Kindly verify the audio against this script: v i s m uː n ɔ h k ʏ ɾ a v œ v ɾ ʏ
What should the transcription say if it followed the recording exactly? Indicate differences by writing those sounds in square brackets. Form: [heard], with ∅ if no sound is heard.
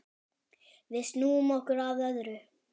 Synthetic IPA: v [ɪ] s [n] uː [m] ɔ h k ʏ ɾ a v œ [ð] ɾ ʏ